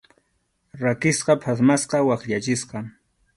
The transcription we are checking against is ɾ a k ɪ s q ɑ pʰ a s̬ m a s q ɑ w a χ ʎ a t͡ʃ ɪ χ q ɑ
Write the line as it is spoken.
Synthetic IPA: ɾ a k ɪ s q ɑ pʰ a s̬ m a s q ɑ w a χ ʎ a t͡ʃ ɪ s q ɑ